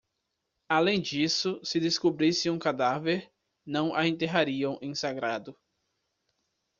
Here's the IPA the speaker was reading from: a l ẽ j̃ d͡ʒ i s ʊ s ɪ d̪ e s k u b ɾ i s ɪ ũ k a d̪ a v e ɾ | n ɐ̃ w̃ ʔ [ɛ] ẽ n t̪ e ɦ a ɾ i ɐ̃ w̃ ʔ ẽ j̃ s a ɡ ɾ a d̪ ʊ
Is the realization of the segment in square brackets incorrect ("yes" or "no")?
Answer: yes